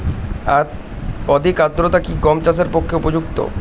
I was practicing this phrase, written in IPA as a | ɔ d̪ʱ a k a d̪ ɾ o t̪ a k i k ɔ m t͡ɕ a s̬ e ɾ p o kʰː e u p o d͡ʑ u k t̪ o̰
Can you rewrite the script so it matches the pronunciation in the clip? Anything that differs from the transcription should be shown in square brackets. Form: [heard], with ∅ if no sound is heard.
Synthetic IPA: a | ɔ d̪ʱ [i] k a d̪ ɾ o t̪ a k i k ɔ m t͡ɕ a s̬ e ɾ p o kʰː e u p o d͡ʑ u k t̪ o̰

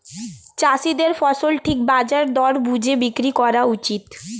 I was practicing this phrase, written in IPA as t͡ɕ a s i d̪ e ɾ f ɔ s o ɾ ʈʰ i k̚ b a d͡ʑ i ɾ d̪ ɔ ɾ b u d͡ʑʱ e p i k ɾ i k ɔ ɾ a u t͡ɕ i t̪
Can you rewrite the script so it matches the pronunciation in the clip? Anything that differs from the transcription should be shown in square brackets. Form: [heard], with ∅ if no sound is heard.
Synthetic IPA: t͡ɕ a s i d̪ e ɾ f ɔ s o [l] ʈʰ i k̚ b a d͡ʑ [a] ɾ d̪ ɔ ɾ b u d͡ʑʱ e [b] i k ɾ i k ɔ ɾ a u t͡ɕ i t̪

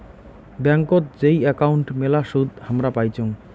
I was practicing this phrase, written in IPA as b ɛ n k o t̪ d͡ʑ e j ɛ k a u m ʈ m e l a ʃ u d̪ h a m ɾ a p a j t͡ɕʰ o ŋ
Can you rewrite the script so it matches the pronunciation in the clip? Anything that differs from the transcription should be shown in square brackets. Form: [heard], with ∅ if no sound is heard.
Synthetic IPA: b ɛ [ŋ] k o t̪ d͡ʑ e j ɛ k a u [ɳ] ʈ m e l a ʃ u d̪ h a m ɾ a p a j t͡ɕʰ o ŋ

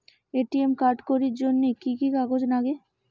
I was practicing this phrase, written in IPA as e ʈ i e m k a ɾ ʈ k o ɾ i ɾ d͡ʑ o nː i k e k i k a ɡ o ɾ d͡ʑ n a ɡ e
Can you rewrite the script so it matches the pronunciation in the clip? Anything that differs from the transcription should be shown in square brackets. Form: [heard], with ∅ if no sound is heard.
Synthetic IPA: e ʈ i e m k a ɾ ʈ k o ɾ i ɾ d͡ʑ o nː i k [i] k i k a ɡ o [∅] d͡ʑ n a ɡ e

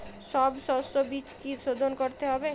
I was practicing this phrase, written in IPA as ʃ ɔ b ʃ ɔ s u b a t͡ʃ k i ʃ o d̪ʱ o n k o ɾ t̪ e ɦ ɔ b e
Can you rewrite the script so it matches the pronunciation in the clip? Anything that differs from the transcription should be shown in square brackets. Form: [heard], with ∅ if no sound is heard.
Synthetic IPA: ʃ ɔ b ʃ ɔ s [o] b [i] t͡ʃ k i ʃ o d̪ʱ o n k o ɾ t̪ e ɦ ɔ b e

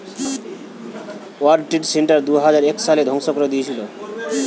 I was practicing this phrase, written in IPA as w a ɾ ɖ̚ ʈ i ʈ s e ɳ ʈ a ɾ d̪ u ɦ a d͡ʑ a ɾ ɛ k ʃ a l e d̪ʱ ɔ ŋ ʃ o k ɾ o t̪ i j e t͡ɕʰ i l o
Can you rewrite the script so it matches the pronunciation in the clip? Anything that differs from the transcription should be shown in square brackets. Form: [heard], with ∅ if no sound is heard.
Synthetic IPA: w a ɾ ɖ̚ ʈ i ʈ s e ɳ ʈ a ɾ d̪ u ɦ a d͡ʑ a ɾ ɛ k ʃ a l e d̪ʱ ɔ ŋ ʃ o k ɾ o [d̪] i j e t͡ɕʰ i l o

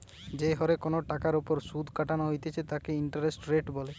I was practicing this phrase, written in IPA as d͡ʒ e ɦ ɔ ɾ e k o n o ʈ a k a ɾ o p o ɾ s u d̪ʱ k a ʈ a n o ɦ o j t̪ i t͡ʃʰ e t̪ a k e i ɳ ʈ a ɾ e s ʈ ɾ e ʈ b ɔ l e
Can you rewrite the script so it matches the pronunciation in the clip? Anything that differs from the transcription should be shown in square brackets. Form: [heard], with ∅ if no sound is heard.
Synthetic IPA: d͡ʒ e ɦ ɔ ɾ e k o n o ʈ a k a ɾ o p o ɾ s u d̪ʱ k a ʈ a n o ɦ o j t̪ [e] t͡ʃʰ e t̪ a k e i ɳ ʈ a ɾ e s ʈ ɾ e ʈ b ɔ l e

